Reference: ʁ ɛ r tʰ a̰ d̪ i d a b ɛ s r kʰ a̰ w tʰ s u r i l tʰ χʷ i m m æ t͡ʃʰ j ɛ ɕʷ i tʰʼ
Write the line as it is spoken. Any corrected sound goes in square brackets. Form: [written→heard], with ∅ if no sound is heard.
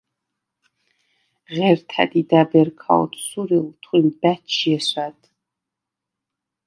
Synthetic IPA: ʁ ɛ r tʰ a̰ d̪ i d a b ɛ [s→∅] r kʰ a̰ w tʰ s u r i l tʰ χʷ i m [m→b] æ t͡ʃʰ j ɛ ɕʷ [i→a] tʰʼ